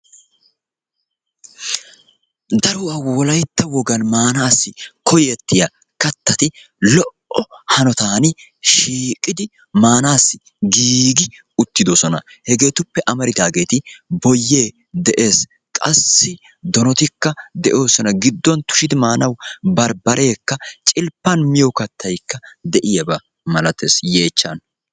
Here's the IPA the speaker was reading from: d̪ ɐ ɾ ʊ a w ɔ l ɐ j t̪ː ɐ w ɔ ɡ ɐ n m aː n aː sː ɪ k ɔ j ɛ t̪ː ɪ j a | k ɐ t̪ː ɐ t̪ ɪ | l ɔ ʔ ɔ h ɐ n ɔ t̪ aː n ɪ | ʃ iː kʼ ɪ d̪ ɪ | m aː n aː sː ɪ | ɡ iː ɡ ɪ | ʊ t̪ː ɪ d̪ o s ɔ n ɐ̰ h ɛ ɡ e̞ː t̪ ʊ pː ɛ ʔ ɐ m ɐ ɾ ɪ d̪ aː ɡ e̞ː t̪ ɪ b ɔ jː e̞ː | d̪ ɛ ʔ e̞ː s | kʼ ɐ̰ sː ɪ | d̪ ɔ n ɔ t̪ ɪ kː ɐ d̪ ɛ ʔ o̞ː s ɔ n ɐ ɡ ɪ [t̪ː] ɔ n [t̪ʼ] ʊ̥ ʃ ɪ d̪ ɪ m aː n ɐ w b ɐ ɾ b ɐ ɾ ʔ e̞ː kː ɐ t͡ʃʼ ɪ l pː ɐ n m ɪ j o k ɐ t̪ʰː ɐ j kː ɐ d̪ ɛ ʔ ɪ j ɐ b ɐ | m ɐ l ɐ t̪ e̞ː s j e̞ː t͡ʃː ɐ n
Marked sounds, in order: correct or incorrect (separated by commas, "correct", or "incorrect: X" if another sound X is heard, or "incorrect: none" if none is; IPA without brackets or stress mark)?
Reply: incorrect: d̪ː, incorrect: t̪